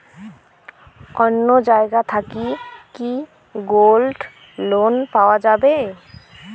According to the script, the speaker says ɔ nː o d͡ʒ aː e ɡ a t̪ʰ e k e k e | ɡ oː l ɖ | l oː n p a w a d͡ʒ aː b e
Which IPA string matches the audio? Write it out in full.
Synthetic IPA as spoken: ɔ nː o d͡ʒ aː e ɡ a t̪ʰ a k i k i | ɡ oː l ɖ | l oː n p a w a d͡ʒ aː b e